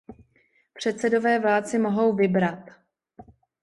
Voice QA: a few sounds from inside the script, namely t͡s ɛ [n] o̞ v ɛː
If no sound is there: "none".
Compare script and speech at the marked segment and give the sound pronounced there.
d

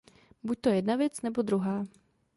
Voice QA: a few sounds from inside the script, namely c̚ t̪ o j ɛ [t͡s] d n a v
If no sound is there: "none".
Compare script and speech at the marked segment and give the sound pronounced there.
none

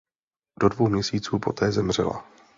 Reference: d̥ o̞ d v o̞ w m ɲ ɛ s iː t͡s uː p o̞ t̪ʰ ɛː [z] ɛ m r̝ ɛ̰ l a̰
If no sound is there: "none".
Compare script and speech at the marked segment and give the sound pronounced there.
z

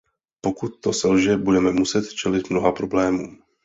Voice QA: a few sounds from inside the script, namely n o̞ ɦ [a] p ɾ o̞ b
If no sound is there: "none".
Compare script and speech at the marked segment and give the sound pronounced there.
a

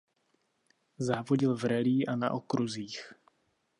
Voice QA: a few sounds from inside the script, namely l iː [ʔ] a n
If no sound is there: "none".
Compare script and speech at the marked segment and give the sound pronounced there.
ʔ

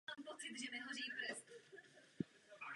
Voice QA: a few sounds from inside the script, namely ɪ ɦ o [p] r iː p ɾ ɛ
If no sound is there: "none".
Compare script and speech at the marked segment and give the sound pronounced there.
none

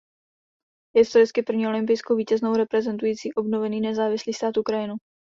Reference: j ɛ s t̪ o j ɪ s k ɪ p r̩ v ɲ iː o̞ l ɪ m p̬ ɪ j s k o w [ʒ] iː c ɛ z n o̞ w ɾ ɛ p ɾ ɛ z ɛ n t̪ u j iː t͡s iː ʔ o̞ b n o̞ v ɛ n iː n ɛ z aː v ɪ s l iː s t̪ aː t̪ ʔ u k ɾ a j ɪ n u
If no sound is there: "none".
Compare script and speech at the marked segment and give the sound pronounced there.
v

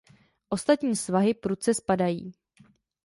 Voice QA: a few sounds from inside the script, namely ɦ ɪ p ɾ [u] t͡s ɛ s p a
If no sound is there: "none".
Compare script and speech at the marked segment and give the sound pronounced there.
u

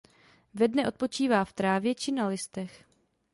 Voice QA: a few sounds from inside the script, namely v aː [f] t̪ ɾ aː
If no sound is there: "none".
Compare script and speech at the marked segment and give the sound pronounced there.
f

